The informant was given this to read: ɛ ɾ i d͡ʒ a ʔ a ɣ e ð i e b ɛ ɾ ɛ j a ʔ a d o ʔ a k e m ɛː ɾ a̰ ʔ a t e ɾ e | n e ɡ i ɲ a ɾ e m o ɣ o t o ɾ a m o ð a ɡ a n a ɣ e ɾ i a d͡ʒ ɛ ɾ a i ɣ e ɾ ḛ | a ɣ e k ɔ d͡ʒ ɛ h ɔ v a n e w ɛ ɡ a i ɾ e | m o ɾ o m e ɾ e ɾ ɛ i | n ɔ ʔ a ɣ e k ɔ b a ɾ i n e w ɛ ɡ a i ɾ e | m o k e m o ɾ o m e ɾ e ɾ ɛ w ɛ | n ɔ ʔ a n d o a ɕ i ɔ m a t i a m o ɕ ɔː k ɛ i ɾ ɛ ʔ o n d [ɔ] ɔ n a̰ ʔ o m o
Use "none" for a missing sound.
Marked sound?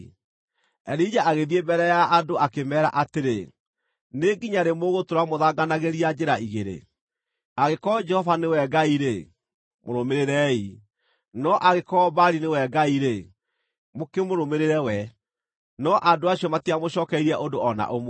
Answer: o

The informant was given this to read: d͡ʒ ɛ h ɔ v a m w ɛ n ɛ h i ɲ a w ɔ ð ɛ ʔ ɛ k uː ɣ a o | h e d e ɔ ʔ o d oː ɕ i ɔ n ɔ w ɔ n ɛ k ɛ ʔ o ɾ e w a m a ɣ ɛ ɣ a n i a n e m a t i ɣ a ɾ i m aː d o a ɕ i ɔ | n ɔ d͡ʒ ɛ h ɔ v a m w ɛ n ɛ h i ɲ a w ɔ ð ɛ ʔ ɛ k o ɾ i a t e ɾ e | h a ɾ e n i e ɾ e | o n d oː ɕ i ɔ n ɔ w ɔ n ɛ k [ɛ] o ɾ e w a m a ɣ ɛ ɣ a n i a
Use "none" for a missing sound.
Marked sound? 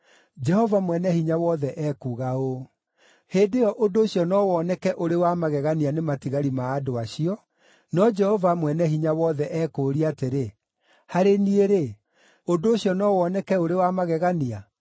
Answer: ɛ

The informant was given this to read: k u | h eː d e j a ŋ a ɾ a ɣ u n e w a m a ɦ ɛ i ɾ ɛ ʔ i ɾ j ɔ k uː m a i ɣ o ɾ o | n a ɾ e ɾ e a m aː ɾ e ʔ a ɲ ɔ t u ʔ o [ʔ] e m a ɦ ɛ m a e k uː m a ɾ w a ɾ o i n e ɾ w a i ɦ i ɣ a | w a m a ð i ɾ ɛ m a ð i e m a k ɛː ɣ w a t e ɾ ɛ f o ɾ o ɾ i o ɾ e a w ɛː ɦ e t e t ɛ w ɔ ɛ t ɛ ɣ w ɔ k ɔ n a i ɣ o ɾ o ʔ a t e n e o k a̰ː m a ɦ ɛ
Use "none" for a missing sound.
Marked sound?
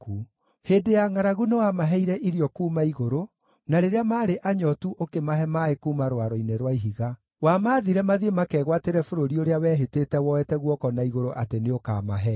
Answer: k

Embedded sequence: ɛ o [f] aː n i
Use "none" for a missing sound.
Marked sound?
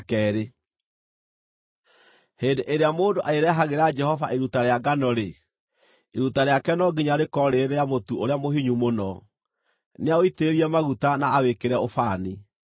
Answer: f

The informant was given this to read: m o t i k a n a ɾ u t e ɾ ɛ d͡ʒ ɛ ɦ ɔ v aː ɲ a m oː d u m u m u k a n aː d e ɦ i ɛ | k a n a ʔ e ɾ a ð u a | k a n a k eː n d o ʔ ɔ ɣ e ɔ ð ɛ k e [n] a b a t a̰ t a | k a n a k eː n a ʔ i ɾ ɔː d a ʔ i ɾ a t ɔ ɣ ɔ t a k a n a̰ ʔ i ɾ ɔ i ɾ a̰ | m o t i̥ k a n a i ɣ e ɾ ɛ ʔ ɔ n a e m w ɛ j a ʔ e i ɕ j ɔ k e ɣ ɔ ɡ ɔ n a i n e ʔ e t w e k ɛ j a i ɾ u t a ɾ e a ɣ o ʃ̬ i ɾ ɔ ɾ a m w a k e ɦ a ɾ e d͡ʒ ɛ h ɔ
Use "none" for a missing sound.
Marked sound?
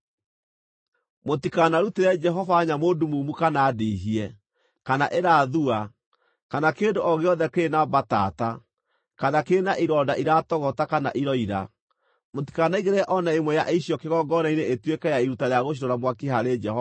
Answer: n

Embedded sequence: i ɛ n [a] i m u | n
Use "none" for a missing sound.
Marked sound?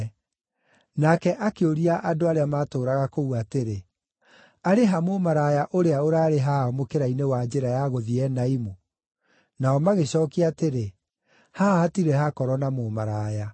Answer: a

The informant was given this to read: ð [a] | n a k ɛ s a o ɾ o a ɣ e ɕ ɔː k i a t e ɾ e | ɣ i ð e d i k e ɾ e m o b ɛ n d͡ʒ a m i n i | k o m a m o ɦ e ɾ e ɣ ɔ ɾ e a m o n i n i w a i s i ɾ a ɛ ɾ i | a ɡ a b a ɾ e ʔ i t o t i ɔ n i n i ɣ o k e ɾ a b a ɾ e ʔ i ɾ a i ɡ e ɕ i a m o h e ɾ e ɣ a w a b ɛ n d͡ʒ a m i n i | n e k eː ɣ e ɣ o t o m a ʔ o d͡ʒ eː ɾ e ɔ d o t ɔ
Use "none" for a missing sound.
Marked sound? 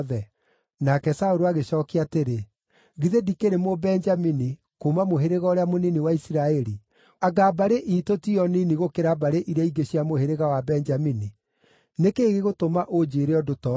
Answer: ɛ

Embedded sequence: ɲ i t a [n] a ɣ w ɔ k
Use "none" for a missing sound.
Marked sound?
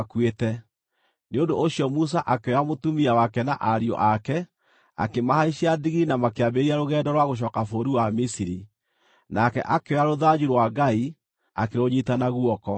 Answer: n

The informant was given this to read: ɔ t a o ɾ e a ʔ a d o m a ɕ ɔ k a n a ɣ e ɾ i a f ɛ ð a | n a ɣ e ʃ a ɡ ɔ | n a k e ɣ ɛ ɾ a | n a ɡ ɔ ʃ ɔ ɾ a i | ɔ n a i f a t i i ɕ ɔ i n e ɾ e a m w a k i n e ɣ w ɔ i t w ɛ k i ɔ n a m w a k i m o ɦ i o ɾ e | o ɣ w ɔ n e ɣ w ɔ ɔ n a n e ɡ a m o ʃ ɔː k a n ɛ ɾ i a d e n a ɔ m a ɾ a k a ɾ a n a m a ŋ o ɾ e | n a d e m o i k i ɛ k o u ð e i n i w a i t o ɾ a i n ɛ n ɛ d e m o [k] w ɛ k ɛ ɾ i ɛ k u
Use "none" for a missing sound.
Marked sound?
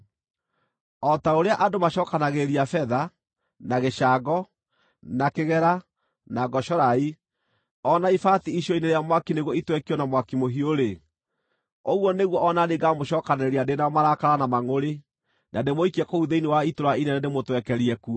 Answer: t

